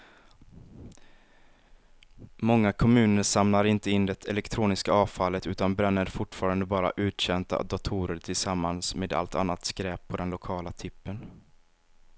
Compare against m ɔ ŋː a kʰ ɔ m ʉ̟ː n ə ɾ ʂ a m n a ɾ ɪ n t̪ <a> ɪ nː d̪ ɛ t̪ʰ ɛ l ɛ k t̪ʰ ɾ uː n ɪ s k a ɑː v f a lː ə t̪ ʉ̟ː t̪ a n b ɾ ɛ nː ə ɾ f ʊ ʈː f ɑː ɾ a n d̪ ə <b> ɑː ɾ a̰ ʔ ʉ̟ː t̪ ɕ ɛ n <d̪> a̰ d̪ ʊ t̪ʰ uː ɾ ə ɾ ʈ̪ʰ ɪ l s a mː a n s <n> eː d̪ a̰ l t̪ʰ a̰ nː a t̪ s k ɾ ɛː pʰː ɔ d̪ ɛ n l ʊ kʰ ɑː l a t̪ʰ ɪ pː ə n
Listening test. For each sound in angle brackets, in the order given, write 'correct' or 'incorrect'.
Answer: incorrect, correct, incorrect, incorrect

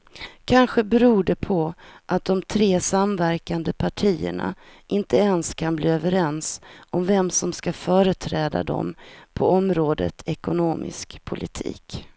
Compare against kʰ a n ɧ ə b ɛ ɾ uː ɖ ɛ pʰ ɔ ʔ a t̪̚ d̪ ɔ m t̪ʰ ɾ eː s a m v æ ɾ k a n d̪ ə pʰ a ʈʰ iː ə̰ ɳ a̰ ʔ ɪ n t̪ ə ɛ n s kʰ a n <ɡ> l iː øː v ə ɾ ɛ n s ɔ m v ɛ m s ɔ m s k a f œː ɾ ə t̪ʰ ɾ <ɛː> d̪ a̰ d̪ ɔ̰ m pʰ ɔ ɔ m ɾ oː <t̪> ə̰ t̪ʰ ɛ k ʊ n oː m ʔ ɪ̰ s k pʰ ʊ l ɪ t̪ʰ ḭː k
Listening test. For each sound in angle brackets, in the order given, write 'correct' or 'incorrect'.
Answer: incorrect, correct, incorrect

